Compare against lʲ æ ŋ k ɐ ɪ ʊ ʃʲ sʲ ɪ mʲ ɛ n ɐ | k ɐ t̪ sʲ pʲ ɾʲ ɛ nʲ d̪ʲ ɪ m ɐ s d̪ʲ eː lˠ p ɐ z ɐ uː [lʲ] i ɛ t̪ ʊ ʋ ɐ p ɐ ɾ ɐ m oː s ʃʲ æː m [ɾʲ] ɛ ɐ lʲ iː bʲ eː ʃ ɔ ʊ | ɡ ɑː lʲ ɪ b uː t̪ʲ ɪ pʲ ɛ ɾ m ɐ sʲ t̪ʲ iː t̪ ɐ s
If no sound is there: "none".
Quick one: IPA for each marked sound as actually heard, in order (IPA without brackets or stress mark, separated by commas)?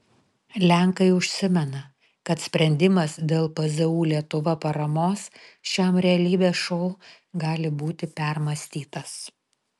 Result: lʲ, ɾʲ